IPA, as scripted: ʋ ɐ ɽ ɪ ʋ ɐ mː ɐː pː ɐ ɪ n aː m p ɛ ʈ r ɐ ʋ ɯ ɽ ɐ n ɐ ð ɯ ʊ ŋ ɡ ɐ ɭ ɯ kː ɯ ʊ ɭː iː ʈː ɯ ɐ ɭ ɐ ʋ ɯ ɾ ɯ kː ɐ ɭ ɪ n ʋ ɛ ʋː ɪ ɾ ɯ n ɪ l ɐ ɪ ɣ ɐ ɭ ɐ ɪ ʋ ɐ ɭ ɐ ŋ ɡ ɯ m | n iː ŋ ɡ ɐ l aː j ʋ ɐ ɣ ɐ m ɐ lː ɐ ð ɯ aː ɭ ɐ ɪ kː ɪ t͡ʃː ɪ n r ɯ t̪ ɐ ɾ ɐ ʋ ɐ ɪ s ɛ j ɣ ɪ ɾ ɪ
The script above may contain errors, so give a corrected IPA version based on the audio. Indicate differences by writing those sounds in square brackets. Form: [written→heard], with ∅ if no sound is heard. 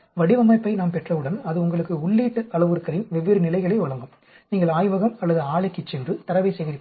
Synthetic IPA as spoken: ʋ ɐ ɽ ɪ ʋ ɐ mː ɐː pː ɐ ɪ n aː m p ɛ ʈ r ɐ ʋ ɯ ɽ ɐ n ɐ ð ɯ ʊ ŋ ɡ ɐ ɭ ɯ kː ɯ ʊ ɭː iː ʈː ɯ ɐ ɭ ɐ ʋ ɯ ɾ ɯ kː ɐ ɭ ɪ n ʋ ɛ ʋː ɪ ɾ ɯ n ɪ l ɐ ɪ ɣ ɐ ɭ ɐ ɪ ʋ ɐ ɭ ɐ ŋ ɡ ɯ m | n iː ŋ ɡ ɐ [l→ɭ] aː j ʋ ɐ ɣ ɐ m ɐ lː ɐ ð ɯ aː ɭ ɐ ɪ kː ɪ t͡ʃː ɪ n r ɯ t̪ ɐ ɾ ɐ ʋ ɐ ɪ s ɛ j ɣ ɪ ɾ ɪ